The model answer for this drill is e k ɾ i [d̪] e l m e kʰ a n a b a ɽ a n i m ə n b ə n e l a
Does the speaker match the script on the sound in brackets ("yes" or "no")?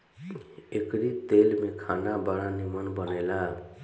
no